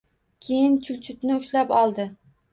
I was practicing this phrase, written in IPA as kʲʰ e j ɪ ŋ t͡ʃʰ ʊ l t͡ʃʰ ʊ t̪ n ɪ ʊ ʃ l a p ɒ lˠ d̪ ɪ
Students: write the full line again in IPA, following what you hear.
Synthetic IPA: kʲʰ e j ɪ n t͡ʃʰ ʊ l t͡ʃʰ ʊ t̪ n ɪ ʊ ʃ l a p ɒ lˠ d̪ ɪ